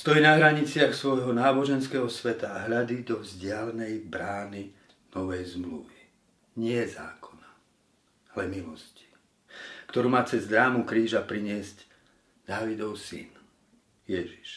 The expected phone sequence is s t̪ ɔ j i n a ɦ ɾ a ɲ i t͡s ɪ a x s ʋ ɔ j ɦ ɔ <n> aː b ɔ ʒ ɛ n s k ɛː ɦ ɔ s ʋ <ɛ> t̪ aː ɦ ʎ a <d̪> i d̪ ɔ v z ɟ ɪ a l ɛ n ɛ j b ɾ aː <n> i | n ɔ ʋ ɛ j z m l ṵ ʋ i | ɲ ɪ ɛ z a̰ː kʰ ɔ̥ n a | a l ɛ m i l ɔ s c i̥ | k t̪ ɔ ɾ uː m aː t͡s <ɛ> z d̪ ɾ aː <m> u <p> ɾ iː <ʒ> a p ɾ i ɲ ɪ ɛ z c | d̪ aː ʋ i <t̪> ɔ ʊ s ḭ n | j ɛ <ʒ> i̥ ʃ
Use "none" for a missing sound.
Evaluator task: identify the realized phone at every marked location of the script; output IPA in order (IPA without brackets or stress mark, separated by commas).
n, ɛ, d̪, n, ɛ, m, k, ʒ, d̪, ʒ